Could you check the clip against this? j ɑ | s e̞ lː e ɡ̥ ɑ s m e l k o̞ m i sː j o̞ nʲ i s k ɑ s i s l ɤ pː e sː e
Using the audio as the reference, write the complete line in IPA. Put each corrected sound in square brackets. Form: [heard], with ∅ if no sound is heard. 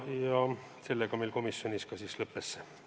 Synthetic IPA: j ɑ | s e̞ lː e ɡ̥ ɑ [∅] m e l k o̞ m i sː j o̞ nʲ i s k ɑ s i s l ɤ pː e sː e